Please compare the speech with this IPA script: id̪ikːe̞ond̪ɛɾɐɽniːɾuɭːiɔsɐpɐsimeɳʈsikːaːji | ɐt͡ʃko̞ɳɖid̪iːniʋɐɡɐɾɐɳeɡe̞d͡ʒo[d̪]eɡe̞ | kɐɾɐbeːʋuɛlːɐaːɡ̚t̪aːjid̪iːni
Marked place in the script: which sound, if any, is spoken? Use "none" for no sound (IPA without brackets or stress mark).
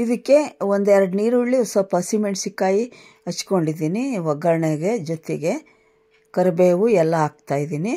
t̪